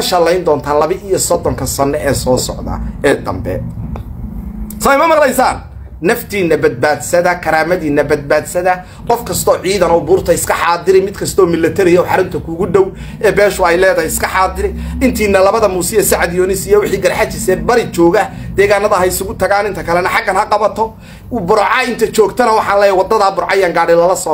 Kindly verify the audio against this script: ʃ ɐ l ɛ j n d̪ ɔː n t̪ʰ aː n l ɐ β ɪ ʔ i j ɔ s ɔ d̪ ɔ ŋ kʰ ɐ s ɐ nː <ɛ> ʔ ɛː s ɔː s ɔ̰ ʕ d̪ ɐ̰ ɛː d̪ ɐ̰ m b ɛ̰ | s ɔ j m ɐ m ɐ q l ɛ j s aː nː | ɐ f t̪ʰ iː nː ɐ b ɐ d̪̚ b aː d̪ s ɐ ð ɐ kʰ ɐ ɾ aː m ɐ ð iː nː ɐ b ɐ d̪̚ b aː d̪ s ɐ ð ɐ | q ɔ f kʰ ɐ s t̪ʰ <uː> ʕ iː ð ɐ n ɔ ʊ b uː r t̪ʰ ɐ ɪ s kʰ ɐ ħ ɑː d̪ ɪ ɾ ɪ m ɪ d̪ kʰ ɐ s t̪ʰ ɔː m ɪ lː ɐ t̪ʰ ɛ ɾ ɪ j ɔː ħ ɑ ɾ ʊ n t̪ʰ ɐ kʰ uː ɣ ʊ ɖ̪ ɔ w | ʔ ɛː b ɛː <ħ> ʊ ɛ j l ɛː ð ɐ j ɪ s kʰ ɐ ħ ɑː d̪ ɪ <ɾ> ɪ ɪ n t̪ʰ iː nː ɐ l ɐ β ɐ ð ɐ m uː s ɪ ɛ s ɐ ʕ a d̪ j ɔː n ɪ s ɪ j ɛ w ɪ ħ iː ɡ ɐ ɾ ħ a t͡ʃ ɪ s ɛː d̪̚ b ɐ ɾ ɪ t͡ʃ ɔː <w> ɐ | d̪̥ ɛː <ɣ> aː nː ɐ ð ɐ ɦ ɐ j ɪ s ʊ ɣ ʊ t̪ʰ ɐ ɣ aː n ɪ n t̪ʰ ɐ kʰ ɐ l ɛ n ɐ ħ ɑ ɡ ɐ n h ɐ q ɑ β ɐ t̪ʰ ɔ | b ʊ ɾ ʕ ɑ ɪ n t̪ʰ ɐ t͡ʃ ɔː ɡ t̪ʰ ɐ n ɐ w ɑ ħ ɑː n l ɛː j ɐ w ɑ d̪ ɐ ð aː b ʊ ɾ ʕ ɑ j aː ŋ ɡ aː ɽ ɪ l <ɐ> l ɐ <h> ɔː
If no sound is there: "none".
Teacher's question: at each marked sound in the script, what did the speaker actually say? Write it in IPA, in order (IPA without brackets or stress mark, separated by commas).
ɛ, ɔː, ʃ, ɾ, ɣ, ɣ, ɐ, s